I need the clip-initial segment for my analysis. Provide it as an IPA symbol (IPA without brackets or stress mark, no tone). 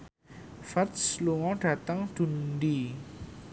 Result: f